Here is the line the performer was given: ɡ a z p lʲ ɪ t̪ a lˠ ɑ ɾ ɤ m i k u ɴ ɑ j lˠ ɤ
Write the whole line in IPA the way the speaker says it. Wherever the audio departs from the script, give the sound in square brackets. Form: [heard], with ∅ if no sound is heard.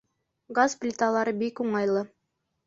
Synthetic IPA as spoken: ɡ a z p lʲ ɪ t̪ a lˠ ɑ ɾ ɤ [b] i k u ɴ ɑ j lˠ ɤ